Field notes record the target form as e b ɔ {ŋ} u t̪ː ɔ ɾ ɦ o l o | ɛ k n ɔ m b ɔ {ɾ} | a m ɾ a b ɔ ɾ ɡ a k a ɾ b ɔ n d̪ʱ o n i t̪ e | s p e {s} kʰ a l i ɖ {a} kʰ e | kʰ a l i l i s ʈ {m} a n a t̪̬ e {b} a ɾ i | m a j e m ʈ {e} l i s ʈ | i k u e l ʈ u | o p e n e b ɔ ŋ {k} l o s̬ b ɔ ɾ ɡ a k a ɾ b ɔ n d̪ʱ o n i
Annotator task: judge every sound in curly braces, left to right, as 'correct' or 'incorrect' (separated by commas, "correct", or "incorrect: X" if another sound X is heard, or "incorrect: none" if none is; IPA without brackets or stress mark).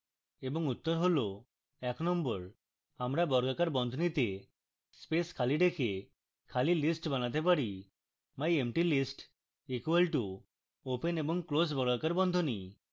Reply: correct, correct, correct, incorrect: e, incorrect: b, incorrect: p, incorrect: i, correct